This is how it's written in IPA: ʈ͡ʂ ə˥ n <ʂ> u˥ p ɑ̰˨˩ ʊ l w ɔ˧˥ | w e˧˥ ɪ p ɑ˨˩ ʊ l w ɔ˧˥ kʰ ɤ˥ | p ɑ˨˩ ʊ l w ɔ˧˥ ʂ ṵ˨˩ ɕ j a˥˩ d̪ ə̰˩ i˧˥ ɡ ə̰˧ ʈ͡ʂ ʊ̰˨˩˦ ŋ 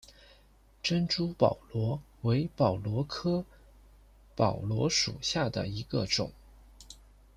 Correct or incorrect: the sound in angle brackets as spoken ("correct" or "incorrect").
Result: incorrect